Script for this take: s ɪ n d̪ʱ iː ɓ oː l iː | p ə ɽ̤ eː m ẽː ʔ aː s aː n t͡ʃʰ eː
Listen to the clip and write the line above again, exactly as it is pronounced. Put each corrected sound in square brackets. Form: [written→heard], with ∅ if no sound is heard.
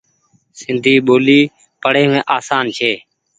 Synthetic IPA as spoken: s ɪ n d̪ʱ iː ɓ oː l iː | p ə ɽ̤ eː m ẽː ʔ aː s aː n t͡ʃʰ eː